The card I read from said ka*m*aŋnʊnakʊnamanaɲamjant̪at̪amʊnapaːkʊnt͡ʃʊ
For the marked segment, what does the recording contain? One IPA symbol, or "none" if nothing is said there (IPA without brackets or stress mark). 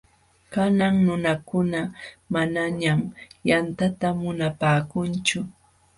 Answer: n